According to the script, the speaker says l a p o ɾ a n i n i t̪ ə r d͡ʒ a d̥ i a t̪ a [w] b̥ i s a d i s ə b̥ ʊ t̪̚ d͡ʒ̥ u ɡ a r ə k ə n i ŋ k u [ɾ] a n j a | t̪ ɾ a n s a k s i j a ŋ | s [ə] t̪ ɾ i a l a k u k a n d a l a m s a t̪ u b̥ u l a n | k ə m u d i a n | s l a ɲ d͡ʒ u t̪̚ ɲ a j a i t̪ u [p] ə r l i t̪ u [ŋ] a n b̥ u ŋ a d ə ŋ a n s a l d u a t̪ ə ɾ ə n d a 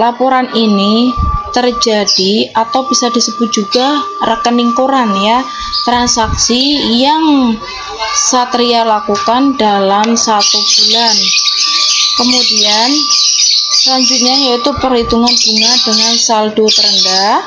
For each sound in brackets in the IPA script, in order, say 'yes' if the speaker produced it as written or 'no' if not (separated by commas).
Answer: yes, yes, no, yes, yes